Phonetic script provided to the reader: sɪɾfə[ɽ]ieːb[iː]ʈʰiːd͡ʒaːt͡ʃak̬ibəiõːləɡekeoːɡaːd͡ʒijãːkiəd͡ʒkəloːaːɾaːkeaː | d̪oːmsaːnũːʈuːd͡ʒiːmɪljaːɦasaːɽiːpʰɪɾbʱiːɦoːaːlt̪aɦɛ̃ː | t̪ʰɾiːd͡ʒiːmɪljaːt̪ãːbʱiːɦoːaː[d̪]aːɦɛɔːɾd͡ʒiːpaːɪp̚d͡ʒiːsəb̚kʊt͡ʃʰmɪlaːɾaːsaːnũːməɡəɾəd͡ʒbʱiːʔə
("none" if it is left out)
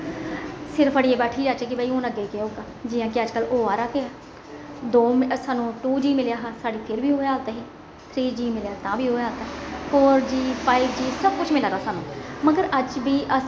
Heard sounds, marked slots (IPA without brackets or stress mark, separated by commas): ɽ, ɛː, t̪